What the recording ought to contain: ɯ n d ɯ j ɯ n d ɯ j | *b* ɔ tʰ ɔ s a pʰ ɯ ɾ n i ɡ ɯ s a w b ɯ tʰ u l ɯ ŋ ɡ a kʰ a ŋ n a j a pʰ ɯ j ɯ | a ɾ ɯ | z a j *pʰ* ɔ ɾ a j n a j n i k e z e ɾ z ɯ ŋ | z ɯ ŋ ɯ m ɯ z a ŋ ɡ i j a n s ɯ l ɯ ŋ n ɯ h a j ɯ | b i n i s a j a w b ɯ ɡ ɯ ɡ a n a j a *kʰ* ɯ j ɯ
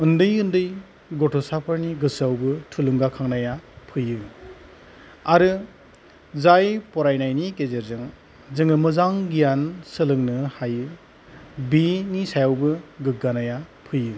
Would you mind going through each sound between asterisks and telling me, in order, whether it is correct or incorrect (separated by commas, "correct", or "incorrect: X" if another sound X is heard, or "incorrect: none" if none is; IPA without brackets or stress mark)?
incorrect: ɡ, incorrect: p, incorrect: pʰ